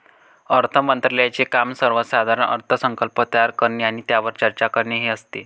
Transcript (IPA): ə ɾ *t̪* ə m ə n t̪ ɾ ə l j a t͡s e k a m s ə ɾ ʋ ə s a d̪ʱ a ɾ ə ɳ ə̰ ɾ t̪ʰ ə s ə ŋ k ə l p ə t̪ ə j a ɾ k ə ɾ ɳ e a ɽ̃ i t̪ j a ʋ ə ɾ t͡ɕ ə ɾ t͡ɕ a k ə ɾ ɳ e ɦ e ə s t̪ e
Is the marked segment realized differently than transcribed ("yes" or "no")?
yes